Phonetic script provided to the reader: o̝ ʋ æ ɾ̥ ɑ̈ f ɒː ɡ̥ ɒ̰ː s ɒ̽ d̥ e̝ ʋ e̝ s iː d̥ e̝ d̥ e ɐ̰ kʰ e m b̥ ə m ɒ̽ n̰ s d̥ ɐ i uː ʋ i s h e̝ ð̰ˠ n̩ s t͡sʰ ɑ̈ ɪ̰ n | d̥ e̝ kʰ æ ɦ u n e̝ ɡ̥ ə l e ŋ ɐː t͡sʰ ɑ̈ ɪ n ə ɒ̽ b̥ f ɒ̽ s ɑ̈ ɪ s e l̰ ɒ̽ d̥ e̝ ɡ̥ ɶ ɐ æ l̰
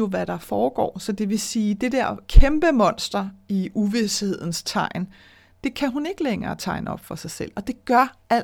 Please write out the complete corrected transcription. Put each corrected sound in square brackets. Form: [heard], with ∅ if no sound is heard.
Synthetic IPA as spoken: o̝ ʋ æ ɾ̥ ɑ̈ f ɒː ɡ̥ ɒ̰ː s ɒ̽ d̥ e̝ ʋ e̝ s iː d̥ e̝ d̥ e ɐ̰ kʰ e m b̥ ə m ɒ̽ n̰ s d̥ ɐ i [u] ʋ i s h e̝ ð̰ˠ n̩ s t͡sʰ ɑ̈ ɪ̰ n | d̥ e̝ kʰ æ ɦ u n e̝ ɡ̥ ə l e ŋ ɐː t͡sʰ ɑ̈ ɪ n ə ɒ̽ b̥ f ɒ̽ s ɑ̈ ɪ s e l̰ ɒ̽ d̥ e̝ ɡ̥ ɶ ɐ æ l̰